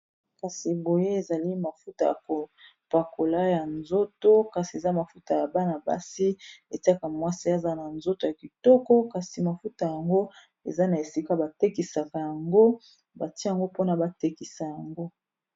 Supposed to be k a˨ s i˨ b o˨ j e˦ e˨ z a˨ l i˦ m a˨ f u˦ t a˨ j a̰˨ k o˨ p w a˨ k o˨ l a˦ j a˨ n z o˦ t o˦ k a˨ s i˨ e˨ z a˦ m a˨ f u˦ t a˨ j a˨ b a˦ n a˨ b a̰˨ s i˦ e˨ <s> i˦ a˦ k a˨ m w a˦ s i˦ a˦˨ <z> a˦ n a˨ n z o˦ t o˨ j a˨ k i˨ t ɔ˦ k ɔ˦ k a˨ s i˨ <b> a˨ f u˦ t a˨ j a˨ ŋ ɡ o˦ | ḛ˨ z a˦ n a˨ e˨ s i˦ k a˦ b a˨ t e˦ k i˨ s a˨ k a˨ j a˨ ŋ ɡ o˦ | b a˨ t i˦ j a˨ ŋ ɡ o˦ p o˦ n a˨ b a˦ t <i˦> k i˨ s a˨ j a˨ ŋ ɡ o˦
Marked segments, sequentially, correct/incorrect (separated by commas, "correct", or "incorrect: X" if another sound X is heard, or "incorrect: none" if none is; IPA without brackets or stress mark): incorrect: t, correct, incorrect: m, incorrect: e˦